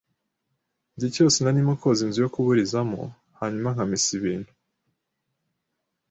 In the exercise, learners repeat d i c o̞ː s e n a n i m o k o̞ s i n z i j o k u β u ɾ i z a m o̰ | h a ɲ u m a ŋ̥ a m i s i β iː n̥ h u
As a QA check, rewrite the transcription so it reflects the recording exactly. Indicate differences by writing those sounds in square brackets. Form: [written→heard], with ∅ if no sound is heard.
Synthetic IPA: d i c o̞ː s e n a n i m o k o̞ [s→z] i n z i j o k u β u ɾ i z a m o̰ | h a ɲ u m a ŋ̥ a m i s i β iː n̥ h u